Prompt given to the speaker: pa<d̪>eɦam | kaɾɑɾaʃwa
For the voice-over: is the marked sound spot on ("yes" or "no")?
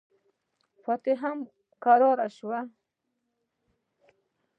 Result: no